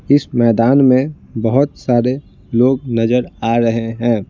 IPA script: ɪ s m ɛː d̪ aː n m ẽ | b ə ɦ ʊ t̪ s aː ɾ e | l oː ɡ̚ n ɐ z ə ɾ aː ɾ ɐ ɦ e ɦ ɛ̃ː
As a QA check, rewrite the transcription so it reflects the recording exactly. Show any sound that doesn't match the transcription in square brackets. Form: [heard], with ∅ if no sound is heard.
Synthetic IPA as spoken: ɪ s m ɛː d̪ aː n m ẽ | b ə ɦ ʊ t̪ s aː ɾ e | l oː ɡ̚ n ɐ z ə ɾ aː ɾ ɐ ɦ e ɦ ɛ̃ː